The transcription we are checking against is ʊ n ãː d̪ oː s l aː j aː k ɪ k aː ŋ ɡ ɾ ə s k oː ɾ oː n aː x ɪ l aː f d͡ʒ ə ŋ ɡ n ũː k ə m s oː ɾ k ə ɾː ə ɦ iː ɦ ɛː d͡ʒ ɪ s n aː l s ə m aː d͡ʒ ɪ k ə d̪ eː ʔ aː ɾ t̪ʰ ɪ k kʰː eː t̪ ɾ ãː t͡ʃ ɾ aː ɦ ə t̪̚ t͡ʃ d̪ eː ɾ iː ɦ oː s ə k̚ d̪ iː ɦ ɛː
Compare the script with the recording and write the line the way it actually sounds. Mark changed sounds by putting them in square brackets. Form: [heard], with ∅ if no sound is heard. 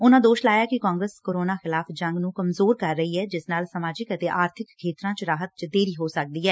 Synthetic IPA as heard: ʊ n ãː d̪ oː [ʃ] l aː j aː k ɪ k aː ŋ ɡ ɾ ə s k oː ɾ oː n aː x ɪ l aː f d͡ʒ ə ŋ ɡ n ũː k ə m [z] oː ɾ k ə ɾː ə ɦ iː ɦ ɛː d͡ʒ ɪ s n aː l s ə m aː d͡ʒ ɪ k ə [t̪] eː ʔ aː ɾ t̪ʰ ɪ k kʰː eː t̪ ɾ ãː t͡ʃ ɾ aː ɦ ə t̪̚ t͡ʃ d̪ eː ɾ iː ɦ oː s ə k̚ d̪ iː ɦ ɛː